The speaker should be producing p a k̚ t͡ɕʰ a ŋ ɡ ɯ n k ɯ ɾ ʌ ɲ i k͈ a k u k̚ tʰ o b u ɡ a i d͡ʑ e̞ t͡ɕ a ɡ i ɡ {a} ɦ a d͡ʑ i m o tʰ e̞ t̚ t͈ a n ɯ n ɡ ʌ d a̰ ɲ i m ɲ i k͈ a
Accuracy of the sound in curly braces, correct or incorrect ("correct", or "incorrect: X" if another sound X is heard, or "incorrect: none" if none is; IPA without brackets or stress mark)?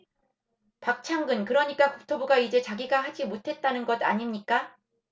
correct